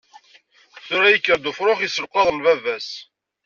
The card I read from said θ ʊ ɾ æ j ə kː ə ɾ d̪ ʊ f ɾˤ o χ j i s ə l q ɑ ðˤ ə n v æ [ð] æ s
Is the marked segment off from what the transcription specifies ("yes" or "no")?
yes